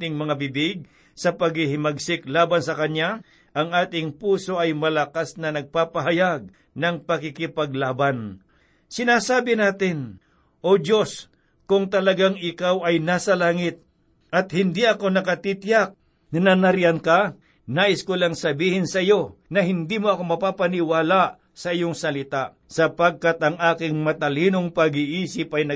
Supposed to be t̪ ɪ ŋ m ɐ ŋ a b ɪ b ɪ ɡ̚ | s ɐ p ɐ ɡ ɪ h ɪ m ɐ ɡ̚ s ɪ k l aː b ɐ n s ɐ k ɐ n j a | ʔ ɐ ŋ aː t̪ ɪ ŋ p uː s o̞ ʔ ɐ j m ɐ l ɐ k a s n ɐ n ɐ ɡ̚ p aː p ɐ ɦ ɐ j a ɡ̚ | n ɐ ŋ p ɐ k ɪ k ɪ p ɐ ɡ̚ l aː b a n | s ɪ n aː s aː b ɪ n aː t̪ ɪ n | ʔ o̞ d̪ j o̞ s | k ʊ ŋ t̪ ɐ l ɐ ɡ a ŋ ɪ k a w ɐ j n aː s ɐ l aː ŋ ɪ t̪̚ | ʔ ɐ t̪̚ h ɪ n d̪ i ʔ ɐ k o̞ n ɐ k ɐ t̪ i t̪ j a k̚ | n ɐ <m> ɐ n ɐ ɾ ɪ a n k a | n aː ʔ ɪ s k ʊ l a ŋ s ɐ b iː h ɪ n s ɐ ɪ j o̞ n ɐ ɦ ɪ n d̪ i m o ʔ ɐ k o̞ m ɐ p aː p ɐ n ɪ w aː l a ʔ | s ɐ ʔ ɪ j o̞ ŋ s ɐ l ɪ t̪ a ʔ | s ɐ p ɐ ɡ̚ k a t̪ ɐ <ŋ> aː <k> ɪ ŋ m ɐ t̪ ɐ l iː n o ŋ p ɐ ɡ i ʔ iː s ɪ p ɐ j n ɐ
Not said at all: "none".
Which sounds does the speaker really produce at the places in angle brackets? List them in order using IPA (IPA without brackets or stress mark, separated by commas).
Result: n, ŋ, k